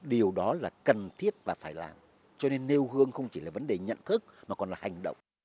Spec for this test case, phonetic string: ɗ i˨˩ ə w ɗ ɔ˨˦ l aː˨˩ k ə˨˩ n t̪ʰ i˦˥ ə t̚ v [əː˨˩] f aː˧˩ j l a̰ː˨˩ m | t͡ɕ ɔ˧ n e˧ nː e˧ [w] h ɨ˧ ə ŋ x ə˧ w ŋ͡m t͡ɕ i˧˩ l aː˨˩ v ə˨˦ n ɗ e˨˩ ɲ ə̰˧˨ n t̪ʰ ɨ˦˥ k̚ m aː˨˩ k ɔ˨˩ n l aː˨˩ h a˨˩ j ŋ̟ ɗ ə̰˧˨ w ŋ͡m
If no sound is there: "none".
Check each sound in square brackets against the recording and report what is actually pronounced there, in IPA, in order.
aː˨˩, w

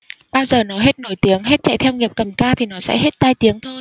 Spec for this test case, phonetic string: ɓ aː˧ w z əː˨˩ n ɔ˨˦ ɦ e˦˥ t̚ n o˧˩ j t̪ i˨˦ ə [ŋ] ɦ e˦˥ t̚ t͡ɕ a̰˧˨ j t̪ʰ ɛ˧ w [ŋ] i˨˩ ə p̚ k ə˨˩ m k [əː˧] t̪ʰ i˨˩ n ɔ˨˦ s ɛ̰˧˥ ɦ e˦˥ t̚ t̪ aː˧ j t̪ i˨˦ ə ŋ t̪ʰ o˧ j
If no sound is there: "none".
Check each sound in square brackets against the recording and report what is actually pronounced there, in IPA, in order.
ŋ, ŋ, aː˧

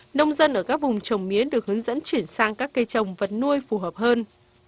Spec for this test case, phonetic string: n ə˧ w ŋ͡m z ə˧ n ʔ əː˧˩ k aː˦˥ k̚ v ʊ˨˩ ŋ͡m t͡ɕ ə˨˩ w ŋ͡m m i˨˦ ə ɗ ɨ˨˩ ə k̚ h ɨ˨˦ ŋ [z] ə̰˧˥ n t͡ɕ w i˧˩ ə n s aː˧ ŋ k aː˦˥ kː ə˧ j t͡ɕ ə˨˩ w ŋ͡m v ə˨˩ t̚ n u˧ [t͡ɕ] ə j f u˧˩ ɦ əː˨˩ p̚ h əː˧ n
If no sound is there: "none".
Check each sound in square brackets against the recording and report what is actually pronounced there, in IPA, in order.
z, none

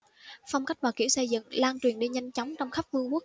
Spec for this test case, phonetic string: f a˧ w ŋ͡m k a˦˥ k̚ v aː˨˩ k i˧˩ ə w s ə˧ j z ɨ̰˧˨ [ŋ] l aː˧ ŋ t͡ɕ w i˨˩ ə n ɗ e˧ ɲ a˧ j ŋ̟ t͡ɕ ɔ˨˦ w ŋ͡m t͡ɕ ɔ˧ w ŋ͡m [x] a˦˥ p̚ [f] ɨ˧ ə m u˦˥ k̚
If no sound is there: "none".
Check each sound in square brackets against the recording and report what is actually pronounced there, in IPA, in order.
ŋ, x, v

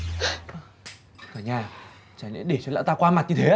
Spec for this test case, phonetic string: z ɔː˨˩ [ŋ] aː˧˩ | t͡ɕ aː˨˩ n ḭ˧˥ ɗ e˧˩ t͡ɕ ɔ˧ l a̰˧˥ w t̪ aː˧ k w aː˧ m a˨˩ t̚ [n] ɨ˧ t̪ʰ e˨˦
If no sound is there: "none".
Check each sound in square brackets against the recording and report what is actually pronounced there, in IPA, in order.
ɲ, ɲ

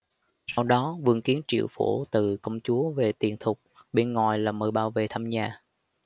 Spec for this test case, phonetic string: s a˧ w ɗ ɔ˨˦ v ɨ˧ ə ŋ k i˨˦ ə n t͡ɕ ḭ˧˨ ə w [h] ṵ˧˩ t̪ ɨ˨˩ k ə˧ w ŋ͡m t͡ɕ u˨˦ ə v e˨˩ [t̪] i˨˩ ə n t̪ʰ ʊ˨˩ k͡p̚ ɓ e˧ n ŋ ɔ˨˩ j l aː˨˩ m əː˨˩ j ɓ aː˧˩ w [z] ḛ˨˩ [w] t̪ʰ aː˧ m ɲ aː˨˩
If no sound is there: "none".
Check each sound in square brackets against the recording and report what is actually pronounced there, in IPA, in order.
f, t̪, v, none

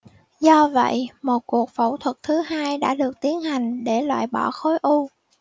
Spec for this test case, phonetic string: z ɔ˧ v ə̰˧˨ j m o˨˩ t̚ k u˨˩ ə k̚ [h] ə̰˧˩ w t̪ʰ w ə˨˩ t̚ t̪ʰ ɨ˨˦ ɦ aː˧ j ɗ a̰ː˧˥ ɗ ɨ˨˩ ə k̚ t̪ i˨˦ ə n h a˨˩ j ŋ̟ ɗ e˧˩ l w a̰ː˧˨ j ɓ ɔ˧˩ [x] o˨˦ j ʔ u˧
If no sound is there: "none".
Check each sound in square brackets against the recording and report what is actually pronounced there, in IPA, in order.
f, x

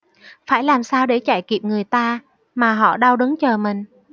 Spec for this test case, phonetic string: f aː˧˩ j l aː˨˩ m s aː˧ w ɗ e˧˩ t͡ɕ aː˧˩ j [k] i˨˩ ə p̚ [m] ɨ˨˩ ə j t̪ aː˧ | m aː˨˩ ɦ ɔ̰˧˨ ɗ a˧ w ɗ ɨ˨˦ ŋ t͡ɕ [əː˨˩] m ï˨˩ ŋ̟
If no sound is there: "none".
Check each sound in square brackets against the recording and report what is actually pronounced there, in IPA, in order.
k, ŋ, əː˨˩

